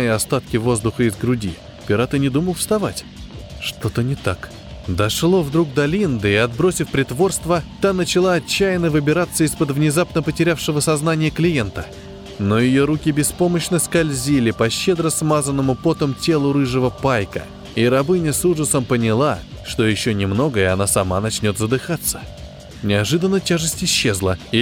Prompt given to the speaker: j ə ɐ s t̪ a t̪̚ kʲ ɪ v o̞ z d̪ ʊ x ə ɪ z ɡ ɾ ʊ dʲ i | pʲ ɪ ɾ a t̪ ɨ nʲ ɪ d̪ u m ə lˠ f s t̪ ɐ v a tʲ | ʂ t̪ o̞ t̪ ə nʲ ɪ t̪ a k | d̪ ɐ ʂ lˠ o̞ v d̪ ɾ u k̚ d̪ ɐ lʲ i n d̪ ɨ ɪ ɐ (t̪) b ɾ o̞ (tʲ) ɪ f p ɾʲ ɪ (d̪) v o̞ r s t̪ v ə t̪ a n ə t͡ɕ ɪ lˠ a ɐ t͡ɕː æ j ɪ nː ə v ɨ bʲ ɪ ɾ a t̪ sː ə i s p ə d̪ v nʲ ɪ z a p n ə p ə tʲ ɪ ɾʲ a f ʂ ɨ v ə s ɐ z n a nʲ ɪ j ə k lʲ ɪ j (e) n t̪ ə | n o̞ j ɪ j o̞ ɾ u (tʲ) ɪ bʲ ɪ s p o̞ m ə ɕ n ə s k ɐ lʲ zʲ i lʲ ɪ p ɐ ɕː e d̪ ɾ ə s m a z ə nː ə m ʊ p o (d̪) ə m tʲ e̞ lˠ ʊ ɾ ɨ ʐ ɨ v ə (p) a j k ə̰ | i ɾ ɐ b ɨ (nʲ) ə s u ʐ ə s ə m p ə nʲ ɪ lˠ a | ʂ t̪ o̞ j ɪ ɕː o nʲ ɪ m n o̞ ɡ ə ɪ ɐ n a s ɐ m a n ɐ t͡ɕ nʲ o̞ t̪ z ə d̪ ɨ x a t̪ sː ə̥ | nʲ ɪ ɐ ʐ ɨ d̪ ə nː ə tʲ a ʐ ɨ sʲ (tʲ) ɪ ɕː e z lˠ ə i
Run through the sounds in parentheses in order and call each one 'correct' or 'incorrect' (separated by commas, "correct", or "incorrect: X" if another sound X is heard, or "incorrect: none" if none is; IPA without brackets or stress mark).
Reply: incorrect: d̪, incorrect: sʲ, incorrect: t̪, correct, incorrect: kʲ, incorrect: t̪, correct, correct, correct